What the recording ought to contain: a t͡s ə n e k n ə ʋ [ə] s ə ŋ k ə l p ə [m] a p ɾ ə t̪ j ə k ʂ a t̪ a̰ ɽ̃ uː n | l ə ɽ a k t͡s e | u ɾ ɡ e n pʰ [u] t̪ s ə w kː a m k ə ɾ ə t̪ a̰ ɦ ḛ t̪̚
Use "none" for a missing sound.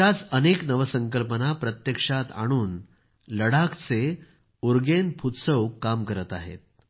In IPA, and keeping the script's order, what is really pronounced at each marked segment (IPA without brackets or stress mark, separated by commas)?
ə, n, u